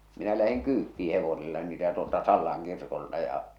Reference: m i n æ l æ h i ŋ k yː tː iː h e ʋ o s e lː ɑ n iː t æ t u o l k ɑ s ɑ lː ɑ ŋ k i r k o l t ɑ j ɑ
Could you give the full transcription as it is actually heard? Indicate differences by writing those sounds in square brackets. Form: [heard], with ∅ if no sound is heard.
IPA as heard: m i n æ l æ h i ŋ k yː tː iː h e ʋ o s e lː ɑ n iː t æ t u o l [t] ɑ s ɑ lː ɑ ŋ k i r k o l t ɑ j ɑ

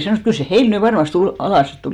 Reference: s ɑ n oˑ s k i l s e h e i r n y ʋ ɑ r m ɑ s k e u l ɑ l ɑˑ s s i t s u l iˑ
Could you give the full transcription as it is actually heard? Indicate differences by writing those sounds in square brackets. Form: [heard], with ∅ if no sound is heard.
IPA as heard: s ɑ n oˑ s k [y] l s e h e i [l] n y ʋ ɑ r m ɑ s [t] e u l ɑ l ɑˑ s s i t [t] u l iˑ

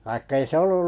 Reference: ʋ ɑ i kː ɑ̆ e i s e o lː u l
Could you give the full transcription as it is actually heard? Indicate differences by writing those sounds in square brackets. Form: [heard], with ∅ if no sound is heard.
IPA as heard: ʋ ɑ i kː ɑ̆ e i s e o lː u l

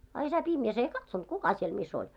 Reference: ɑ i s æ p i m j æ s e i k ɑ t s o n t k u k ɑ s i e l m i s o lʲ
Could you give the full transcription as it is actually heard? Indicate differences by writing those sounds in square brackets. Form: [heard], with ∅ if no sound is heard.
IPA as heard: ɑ i s æ p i m j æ s e i k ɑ t s o n t k u k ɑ s i e l m i s o lʲ

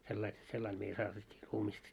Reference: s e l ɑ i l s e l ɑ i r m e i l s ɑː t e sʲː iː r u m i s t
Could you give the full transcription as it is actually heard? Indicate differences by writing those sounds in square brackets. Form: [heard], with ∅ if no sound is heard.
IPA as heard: s e [lː] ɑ i l s e [lː] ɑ i [l] m e i l s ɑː t e [tʲː] iː r [uː] m i s t

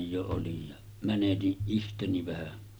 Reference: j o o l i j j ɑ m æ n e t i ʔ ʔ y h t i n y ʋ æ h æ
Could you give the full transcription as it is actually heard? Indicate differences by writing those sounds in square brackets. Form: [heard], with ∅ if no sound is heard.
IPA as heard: j o o l i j j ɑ m æ n e t i ʔ ʔ [i] h t [e] n [i] ʋ æ h æ

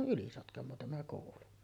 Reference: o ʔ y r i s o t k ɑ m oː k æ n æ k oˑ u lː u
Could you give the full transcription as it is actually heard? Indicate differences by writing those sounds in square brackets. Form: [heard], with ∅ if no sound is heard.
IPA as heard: o ʔ y [l] i s o t k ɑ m oː [t] æ [m] æ k oˑ u [l] u

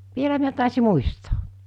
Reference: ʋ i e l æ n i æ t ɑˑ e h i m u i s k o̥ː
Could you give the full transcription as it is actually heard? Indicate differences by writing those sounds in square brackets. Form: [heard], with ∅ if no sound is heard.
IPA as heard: ʋ i e l æ [m] i æ t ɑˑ e [s] i m u i s [t] o̥ː

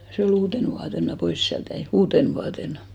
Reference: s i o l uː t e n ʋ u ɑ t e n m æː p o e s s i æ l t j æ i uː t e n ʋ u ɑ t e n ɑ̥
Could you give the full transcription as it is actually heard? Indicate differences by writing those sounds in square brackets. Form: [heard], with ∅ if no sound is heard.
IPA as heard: s [e] o l uː t e n ʋ u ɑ t e n m [æ] p o [i] s s i æ l t j æ i uː t e n ʋ u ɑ t e n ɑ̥

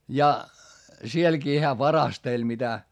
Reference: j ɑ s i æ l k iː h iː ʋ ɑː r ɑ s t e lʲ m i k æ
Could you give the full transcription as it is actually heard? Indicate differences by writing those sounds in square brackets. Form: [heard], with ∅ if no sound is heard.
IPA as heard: j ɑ s i [e] l k iː h [æː] ʋ [ɑ] r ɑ s t e lʲ m i [t] æ

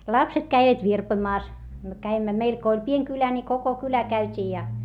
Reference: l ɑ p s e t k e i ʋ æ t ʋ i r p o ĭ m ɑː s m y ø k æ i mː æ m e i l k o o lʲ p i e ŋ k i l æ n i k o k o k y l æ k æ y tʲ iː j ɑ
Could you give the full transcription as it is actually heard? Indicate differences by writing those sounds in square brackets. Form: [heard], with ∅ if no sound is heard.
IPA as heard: l ɑ p s e t k [æ] i ʋ æ t ʋ i r p o ĭ m ɑː s m y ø k æ i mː æ m e i l k o o lʲ p i e ŋ k [y] l æ n i k o k o k y l æ k æ y tʲ iː j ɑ

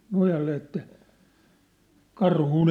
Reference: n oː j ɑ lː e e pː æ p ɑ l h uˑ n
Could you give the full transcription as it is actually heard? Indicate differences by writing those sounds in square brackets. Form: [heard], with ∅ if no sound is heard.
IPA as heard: n [o] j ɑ lː e e [tː] æ [k] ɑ [r] h uˑ n

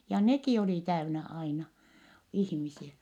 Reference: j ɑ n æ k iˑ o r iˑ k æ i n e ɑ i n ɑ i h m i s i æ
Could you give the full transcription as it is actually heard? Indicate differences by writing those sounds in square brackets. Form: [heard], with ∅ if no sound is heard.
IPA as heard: j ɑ n [e] k iˑ o [l] iˑ [t] æ [y] n [æ] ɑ i n ɑ i h m i s i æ

